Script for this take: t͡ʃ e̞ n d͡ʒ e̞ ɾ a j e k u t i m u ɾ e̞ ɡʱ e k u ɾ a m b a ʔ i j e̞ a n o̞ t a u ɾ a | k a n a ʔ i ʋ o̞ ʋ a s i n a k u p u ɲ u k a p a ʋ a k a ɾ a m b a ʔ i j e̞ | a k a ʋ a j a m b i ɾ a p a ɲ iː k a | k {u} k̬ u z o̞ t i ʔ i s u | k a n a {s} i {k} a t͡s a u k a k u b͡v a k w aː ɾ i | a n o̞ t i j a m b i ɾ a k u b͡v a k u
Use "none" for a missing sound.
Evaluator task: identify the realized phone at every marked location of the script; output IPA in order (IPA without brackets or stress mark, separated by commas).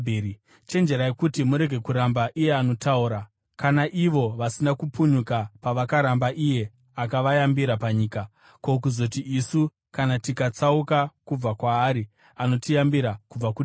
o, t, k